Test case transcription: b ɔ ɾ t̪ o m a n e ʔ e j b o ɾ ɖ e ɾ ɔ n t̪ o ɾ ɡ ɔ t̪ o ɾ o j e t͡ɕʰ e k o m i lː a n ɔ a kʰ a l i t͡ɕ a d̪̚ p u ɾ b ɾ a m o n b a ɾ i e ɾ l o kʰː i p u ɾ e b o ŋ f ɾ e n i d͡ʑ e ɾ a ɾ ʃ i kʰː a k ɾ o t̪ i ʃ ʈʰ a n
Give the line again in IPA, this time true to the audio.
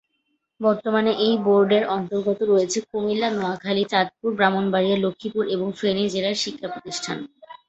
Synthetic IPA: b ɔ ɾ t̪ o m a n e ʔ e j b o ɾ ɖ e ɾ ɔ n t̪ o ɾ ɡ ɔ t̪ o ɾ o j e t͡ɕʰ e k o m i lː a n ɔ a kʰ a l i t͡ɕ a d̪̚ p u ɾ b ɾ a m o n b a ɾ i e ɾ l o kʰː i p u ɾ e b o ŋ f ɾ e n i d͡ʑ e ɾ a ɾ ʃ i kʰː a p ɾ o t̪ i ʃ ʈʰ a n